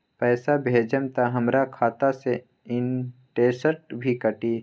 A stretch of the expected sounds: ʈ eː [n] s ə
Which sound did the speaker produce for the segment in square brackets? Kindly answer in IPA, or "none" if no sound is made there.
none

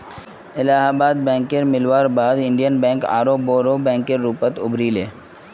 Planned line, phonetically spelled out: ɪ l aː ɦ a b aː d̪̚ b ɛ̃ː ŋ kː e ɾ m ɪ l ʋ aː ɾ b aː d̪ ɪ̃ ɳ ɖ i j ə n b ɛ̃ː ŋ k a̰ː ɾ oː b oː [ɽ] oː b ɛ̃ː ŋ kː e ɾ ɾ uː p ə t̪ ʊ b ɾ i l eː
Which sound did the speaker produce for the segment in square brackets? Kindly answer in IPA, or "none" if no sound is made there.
ɾ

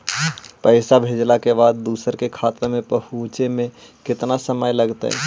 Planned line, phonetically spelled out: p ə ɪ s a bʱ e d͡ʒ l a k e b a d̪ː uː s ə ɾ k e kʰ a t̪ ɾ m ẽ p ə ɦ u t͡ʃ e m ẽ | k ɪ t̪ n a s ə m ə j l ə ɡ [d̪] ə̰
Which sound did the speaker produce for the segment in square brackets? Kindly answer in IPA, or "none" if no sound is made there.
t̪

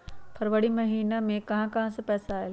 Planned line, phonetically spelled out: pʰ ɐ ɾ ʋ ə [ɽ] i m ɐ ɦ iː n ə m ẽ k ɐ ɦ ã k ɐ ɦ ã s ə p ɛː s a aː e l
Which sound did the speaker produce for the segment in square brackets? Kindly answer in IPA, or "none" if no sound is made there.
ɽ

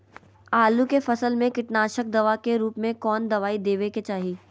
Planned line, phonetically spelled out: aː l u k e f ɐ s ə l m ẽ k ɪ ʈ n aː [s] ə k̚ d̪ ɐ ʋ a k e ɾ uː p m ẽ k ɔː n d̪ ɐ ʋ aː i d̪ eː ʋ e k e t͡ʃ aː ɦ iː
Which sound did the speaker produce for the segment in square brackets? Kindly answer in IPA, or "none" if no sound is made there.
ʃ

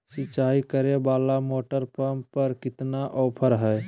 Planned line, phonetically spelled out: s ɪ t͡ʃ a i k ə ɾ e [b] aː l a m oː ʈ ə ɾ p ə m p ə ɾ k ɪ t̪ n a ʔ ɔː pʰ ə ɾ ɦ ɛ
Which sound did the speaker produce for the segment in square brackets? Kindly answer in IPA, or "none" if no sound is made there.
b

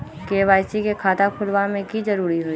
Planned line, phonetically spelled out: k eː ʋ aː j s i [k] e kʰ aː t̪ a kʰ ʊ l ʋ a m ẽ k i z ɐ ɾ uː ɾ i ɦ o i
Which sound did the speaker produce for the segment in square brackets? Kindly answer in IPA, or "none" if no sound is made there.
k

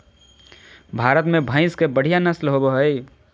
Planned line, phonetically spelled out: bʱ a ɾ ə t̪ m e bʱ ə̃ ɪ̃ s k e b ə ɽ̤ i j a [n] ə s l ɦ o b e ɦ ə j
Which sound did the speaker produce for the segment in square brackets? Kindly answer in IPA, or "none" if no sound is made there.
n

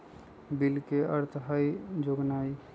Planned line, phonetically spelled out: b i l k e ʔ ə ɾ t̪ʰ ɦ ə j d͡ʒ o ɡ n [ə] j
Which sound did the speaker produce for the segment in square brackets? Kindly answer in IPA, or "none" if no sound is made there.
a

